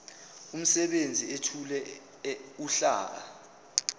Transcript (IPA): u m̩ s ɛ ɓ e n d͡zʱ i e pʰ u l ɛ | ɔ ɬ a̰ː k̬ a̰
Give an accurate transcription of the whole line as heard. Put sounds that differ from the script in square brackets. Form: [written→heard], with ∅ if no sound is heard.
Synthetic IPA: u m̩ s ɛ ɓ e n d͡zʱ i e [pʰ→tʰ] u l ɛ | [ɔ→u] ɬ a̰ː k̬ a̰